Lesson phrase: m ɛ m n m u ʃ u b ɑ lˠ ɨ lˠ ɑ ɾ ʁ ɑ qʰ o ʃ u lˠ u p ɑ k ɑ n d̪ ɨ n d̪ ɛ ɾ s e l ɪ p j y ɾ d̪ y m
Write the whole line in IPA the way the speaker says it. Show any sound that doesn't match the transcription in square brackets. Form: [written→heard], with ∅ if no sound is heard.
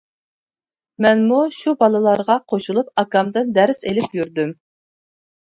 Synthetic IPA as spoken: m ɛ [m→∅] n m u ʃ u b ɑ lˠ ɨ lˠ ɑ ɾ ʁ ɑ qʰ o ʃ u lˠ u p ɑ k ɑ [n→m] d̪ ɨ n d̪ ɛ ɾ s e l ɪ p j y ɾ d̪ y m